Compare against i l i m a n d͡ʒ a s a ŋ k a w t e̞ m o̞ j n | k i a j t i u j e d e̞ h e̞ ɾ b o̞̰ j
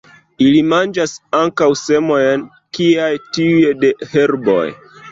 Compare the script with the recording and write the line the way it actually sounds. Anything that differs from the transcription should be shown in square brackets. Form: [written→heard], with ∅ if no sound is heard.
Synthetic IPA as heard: i l i m a n d͡ʒ a s a ŋ k a w [t→s] e̞ m o̞ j n | k i a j t i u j e d e̞ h e̞ ɾ b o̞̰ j